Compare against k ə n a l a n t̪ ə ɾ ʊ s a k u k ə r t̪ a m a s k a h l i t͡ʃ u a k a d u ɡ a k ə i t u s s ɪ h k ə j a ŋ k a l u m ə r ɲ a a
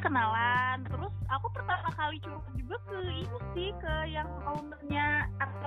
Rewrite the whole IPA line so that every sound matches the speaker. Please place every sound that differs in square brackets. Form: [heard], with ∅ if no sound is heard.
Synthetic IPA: k ə n a l a n t̪ ə ɾ ʊ s a k u [p] ə r t̪ a m a [∅] k a [∅] l i t͡ʃ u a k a [d͡ʒ] u ɡ a k ə i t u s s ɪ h k ə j a ŋ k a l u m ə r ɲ a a